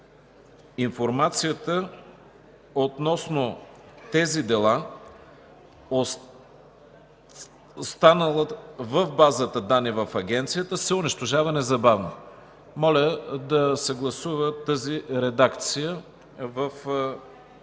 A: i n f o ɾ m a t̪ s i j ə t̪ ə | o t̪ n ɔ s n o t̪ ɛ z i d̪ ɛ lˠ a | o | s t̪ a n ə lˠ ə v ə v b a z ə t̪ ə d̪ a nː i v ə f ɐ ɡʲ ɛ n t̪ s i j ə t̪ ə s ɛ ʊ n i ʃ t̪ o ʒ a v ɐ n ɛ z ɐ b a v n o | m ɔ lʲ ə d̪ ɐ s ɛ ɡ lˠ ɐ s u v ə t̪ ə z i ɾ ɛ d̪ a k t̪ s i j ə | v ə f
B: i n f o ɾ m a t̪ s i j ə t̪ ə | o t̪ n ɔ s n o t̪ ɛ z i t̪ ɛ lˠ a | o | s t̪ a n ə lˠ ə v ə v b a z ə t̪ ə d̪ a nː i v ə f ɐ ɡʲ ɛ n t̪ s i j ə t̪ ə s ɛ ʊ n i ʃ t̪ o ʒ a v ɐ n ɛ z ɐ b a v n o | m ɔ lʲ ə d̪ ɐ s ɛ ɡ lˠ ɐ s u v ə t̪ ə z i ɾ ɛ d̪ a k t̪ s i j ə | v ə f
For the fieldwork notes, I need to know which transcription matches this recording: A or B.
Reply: A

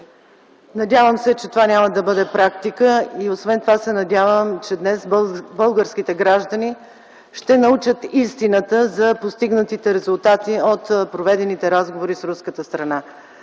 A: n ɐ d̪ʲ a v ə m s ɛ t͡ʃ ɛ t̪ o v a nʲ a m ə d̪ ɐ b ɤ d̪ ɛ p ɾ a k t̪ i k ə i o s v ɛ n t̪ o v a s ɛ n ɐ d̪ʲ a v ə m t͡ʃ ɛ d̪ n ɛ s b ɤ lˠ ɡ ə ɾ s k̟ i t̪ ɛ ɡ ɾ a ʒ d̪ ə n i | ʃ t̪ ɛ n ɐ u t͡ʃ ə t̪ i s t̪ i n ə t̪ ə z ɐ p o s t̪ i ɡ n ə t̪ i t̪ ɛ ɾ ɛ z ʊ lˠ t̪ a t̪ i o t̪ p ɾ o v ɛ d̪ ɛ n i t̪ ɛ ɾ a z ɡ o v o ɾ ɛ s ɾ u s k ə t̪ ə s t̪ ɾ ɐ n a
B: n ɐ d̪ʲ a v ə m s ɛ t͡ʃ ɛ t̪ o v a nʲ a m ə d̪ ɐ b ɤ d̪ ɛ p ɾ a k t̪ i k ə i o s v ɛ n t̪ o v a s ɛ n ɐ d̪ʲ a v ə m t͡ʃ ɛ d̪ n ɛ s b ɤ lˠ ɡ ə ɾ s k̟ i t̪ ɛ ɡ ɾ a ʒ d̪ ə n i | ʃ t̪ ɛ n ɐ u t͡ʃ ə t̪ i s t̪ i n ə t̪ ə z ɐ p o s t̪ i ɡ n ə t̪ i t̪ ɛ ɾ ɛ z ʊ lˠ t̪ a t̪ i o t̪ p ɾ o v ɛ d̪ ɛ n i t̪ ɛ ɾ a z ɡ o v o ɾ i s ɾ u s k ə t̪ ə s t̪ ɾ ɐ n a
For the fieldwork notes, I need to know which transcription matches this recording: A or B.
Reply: B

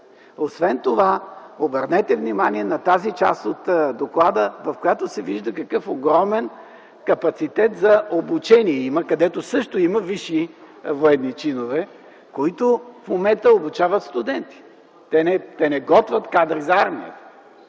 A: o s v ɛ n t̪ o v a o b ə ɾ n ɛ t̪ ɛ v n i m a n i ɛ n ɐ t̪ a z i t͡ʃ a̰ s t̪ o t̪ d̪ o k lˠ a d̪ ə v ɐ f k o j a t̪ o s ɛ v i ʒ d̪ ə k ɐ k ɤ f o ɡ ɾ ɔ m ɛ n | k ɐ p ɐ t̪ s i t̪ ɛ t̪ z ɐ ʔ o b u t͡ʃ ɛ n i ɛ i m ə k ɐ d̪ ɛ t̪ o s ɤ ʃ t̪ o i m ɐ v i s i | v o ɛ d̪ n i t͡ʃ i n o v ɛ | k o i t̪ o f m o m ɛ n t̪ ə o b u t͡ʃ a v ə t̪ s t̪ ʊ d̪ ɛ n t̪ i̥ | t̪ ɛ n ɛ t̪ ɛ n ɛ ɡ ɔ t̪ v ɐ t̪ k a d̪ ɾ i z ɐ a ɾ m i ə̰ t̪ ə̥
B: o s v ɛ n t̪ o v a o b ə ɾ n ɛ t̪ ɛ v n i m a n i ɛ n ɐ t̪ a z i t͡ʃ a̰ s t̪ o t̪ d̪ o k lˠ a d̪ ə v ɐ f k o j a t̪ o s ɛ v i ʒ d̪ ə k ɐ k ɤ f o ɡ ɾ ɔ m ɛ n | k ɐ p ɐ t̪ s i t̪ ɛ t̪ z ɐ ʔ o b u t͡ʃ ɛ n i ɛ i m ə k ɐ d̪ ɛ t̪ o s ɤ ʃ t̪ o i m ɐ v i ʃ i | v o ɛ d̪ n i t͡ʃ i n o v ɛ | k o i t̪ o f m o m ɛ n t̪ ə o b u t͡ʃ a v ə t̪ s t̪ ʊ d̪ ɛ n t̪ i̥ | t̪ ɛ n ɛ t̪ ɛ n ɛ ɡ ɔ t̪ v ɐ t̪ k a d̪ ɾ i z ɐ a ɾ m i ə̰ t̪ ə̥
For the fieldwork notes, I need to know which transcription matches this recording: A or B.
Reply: B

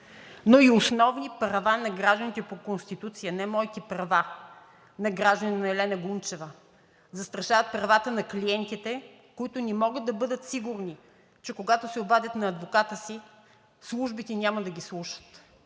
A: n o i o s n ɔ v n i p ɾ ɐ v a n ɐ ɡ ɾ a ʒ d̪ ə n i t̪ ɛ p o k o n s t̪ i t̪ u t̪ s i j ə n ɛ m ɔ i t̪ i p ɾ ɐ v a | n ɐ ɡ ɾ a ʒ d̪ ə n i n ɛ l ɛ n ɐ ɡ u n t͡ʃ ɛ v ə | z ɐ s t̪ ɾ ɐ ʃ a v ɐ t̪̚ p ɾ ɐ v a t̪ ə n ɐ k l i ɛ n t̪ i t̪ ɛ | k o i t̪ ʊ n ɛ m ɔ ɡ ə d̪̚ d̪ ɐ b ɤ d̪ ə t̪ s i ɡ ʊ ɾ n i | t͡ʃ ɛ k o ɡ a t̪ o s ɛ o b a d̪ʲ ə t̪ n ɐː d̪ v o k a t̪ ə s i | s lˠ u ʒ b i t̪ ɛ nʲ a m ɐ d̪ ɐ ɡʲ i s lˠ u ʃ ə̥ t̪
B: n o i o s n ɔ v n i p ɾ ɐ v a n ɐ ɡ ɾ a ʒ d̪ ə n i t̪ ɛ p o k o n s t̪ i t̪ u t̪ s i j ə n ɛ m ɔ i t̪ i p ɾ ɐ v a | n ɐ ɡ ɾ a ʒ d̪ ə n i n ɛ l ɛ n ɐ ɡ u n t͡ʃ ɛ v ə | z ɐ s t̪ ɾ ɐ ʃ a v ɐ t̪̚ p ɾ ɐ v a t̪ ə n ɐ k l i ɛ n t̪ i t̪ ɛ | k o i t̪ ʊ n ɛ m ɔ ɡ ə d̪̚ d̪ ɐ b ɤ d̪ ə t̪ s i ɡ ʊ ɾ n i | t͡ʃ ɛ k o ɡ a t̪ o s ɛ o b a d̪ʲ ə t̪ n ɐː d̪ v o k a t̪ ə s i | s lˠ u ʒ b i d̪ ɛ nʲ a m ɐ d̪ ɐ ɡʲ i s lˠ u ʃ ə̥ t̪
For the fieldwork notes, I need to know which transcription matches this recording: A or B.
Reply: A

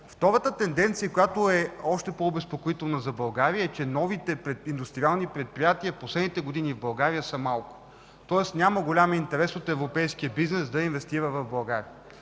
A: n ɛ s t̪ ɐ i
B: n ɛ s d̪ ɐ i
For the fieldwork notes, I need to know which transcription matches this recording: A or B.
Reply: B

